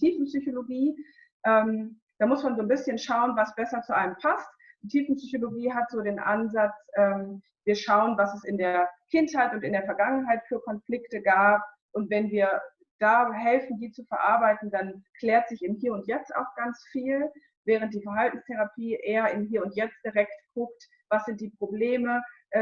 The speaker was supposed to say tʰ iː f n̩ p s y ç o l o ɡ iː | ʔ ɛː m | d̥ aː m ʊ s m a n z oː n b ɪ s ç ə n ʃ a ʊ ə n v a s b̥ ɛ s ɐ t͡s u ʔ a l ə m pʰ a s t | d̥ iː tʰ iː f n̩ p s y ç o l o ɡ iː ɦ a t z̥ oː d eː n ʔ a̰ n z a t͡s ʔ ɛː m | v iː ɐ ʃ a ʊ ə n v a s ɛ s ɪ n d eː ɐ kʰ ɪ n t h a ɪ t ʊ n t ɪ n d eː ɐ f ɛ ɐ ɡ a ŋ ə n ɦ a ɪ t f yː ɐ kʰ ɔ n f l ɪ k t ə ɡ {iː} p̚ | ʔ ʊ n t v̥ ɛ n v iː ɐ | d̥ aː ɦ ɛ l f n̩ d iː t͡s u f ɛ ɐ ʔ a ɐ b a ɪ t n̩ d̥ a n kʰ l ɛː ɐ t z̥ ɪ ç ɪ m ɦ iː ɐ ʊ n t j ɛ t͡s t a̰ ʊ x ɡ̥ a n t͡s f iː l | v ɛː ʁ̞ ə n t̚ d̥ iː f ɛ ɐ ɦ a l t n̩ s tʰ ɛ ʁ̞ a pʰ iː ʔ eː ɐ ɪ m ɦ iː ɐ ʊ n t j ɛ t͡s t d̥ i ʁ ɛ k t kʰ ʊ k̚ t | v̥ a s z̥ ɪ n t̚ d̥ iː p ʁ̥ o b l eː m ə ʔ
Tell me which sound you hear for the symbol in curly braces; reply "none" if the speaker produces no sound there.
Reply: aː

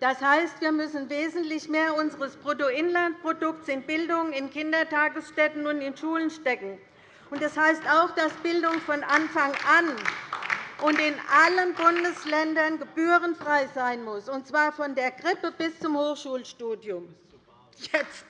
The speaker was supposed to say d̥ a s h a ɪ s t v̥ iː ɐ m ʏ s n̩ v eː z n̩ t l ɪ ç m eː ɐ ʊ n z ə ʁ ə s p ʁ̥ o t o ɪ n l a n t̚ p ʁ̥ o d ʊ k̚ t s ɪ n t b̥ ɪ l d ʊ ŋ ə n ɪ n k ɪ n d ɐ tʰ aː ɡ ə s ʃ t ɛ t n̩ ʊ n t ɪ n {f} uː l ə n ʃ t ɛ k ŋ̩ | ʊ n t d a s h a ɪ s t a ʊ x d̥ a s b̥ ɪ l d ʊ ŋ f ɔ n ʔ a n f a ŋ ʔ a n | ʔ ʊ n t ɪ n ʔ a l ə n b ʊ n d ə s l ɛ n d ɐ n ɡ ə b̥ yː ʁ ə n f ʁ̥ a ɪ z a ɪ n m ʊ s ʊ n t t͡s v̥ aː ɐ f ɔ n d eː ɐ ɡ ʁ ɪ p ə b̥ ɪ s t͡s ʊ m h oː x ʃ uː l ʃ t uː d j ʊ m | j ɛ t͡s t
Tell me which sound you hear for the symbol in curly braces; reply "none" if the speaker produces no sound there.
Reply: ʃ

